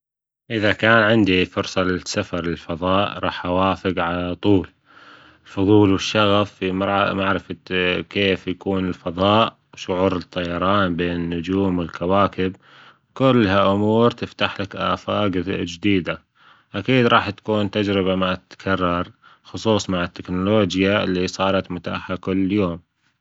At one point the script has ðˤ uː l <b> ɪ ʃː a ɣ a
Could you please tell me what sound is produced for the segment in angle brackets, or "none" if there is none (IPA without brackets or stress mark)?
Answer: w